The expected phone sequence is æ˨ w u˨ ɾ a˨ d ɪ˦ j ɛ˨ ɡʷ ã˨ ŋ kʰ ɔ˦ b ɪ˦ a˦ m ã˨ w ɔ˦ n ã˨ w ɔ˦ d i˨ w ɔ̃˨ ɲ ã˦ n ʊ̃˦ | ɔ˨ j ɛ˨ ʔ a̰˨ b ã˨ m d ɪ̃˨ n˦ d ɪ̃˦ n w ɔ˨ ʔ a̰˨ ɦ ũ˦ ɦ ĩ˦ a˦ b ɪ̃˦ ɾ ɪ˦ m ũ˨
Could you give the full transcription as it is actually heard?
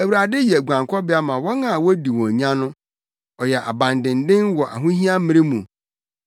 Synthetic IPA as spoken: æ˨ w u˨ ɾ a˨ d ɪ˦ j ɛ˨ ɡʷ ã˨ ŋ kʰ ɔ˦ b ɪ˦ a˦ m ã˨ w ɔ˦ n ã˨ w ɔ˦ d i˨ w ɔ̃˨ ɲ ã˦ n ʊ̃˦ | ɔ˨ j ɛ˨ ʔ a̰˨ b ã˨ n d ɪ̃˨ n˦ d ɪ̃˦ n w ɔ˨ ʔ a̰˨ ɦ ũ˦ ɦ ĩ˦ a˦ m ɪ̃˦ ɾ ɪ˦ m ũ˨